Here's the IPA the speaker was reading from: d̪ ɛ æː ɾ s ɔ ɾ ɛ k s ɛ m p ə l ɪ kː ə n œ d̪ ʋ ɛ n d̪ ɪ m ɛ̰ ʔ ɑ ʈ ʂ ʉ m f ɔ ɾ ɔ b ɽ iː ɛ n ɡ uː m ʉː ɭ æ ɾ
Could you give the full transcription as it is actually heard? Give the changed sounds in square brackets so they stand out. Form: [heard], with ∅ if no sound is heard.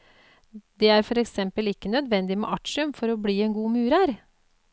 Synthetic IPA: d̪ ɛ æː ɾ [f] ɔ ɾ ɛ k s ɛ m p ə l ɪ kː ə n œ d̪ ʋ ɛ n d̪ ɪ m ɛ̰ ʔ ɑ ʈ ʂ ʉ m f ɔ ɾ ɔ b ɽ iː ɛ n ɡ uː m ʉː [ɾ] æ ɾ